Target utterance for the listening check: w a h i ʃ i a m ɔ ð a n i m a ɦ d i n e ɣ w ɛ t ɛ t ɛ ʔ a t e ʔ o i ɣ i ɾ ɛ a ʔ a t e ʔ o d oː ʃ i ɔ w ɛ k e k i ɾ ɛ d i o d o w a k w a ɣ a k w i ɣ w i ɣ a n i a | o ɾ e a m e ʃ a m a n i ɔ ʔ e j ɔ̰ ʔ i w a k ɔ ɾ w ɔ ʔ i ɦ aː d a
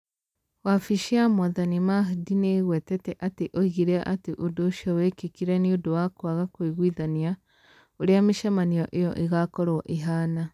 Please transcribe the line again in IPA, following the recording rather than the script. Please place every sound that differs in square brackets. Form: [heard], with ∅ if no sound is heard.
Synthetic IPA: w a [f] i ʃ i a m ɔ ð a n i m a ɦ d i n e ɣ w ɛ t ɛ t ɛ ʔ a t e ʔ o i ɣ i ɾ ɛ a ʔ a t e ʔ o d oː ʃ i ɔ w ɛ k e k i ɾ ɛ [n] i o d o w a k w a ɣ a k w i ɣ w i [ð] a n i a | o ɾ e a m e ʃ a m a n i ɔ ʔ e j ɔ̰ ʔ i [ɣ] a k ɔ ɾ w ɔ ʔ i ɦ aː [n] a

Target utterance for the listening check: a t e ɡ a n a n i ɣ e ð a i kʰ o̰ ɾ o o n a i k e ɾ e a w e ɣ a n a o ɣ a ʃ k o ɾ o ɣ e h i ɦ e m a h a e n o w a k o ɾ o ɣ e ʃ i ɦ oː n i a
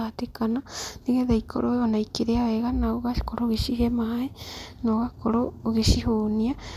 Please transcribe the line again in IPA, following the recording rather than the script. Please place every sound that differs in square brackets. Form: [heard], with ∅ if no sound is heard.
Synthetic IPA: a t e [k] a n a n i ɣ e ð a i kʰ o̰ ɾ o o n a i k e ɾ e a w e ɣ a n a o ɣ a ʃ k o ɾ o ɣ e [ʃ] i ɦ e m a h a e n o [ɣ] a k o ɾ o ɣ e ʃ i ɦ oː n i a

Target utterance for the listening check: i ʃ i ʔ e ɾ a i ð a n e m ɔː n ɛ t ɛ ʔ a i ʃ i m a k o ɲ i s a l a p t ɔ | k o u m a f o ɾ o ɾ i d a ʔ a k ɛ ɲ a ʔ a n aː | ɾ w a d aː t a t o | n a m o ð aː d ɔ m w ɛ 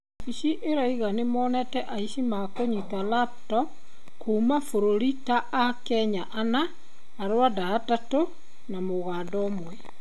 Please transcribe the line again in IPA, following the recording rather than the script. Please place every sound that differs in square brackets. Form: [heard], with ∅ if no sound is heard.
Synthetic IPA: i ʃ i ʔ e ɾ a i [ɣ] a n e m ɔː n ɛ t ɛ ʔ a i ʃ i m a k o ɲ i [t] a l a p t ɔ | k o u m a f o ɾ o ɾ i [t] a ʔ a k ɛ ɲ a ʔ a n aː | ɾ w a d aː t a t o | n a m o [ɣ] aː d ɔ m w ɛ

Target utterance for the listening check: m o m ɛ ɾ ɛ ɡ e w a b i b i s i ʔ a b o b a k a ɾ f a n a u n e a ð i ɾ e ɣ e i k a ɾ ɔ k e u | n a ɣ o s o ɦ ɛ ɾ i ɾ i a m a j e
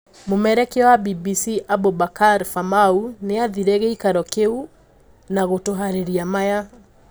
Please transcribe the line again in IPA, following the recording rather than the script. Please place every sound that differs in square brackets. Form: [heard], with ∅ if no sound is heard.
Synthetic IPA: m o m ɛ ɾ ɛ [k] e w a b i b i s i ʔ a b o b a k a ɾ f a [m] a u n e a ð i ɾ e ɣ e i k a ɾ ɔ k e u | n a ɣ o [t] o ɦ [a] ɾ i ɾ i a m a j [a]

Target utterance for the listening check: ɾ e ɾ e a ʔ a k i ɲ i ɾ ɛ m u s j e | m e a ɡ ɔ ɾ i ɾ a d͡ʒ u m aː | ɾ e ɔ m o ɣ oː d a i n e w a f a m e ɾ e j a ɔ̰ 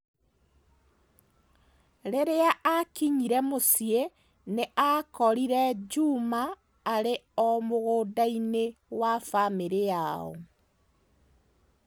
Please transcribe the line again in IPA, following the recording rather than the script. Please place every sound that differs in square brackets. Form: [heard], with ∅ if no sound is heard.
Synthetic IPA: ɾ e ɾ e a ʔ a k i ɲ i ɾ ɛ m [o] s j e | [n] e a [k] ɔ ɾ i ɾ [ɛ] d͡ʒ u m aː | ɾ e ɔ m o ɣ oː d a i n e w a f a m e ɾ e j a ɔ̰

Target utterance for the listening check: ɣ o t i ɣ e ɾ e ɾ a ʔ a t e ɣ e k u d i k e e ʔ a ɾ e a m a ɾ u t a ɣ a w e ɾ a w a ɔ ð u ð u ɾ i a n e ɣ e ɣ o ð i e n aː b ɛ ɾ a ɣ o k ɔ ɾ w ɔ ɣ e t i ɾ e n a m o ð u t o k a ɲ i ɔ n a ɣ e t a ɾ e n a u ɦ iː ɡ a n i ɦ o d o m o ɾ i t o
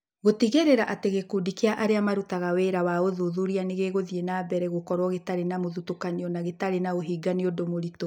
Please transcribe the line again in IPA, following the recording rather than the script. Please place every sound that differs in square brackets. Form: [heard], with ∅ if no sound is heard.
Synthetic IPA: ɣ o t i ɣ e ɾ e ɾ a ʔ a t e ɣ e k u d i k e [a] ʔ a ɾ e a m a ɾ u t a ɣ a w e ɾ a w a [o] ð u ð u ɾ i a n e ɣ e ɣ o ð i e n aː b ɛ ɾ [ɛ] ɣ o k ɔ ɾ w ɔ ɣ e t [a] ɾ e n a m o ð u t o k a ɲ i ɔ n a ɣ e t a ɾ e n a [o] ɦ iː ɡ a n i [∅] o d o m o ɾ i t o

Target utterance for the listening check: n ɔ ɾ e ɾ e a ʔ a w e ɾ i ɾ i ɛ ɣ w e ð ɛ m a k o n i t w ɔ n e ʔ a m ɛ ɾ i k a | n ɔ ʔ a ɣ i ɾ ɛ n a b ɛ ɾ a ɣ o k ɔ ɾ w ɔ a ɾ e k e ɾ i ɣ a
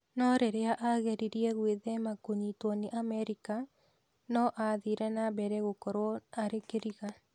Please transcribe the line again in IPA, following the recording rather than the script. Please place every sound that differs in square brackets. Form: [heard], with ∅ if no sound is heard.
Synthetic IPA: n ɔ ɾ e ɾ e a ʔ a [ɣ] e ɾ i ɾ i ɛ ɣ w e ð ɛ m a k o [ɲ] i t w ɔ n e ʔ a m ɛ ɾ i k a | n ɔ ʔ a [ð] i ɾ ɛ n a b ɛ ɾ [ɛ] ɣ o k ɔ ɾ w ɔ a ɾ e k e ɾ i ɣ a

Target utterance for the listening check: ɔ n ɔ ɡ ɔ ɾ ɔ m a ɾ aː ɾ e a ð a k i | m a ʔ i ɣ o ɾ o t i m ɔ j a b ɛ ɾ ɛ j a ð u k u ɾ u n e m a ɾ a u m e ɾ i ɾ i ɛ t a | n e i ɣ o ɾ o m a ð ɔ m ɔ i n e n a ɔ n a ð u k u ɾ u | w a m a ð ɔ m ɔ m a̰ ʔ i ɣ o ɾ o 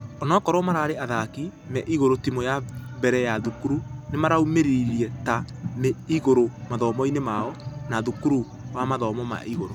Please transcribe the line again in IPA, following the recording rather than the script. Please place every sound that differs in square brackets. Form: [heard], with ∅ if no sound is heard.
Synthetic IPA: ɔ n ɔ [k] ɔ ɾ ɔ m a ɾ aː ɾ e a ð a k i | m [ɛ] ʔ i ɣ o ɾ o t i m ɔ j a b ɛ ɾ ɛ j a ð u k u ɾ u n e m a ɾ a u m e ɾ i ɾ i ɛ t a | n e i ɣ o ɾ o m a ð ɔ m ɔ i n e [m] a ɔ n a ð u k u ɾ u | w a m a ð ɔ m ɔ m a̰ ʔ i ɣ o ɾ o

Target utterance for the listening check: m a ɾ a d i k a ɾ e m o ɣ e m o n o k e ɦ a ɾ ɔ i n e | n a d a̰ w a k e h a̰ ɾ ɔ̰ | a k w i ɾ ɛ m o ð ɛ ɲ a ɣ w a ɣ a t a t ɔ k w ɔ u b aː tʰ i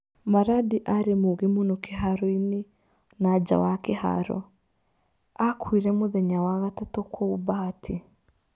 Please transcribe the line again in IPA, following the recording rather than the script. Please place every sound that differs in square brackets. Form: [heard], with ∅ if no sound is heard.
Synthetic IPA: m a ɾ a d i [ʔ] a ɾ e m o ɣ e m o n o k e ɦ a ɾ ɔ i n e | n a [d͡ʒ] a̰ w a k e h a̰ ɾ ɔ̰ | a k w i ɾ ɛ m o ð ɛ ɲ a [∅] w a ɣ a t a t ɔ k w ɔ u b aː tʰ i

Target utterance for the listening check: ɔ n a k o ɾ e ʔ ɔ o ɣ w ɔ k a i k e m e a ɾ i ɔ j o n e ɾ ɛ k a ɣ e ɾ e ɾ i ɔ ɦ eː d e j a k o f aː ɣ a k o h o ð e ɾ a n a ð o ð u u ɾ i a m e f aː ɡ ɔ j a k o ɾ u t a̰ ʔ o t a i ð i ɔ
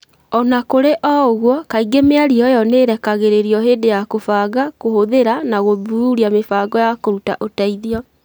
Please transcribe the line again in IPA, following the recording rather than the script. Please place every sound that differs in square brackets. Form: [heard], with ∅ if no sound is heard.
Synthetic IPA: ɔ n a k o ɾ e ʔ ɔ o ɣ w ɔ k a i [ɡ] e m e a ɾ i ɔ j [ɔ] n e ɾ ɛ k a ɣ e ɾ e ɾ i ɔ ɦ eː d e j a k o f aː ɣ a k o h o ð e ɾ a n a [ɣ] o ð u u ɾ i a m e f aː ɡ ɔ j a k o ɾ u t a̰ ʔ o t a i ð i ɔ

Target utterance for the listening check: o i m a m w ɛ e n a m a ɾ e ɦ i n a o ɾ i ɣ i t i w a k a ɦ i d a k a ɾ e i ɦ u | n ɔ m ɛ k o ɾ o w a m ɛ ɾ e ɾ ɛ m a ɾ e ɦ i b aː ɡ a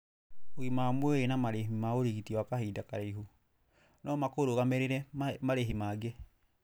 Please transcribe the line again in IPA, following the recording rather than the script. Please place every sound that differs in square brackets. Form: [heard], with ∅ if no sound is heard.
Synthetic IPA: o i m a m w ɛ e n a m a ɾ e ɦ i [m] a o ɾ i ɣ i t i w a k a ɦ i d a k a ɾ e i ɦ u | n ɔ m [a] k o ɾ o [ɣ] a m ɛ ɾ e ɾ ɛ m a ɾ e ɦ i [m] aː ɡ [e]

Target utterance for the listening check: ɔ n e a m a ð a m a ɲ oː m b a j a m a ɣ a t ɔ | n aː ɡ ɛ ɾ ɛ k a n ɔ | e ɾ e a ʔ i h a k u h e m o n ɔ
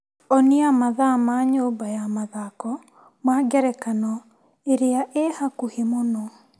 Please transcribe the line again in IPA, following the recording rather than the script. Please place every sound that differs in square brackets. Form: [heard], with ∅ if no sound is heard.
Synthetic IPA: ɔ n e a m a ð a m a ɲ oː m b a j a m a [ð] a [k] ɔ | [m] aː ɡ ɛ ɾ ɛ k a n ɔ | e ɾ e a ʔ [e] h a k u h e m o n ɔ

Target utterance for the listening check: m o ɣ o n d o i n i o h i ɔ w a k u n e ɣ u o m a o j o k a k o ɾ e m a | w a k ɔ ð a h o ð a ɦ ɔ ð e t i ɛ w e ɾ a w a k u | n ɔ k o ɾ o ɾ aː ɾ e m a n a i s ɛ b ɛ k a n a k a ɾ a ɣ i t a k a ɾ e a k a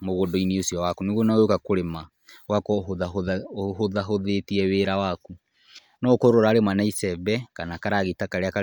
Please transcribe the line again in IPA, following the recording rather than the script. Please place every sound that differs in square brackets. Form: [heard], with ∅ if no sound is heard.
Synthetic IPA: m o ɣ o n d o i n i o [s] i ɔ w a k u n e ɣ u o [n] a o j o k a k o ɾ e m a | w a k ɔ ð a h o ð a ɦ [o] ð e t i ɛ w e ɾ a w a k u | n ɔ k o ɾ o ɾ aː ɾ e m a n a i s ɛ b ɛ k a n a k a ɾ a ɣ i t a k a ɾ e a k a

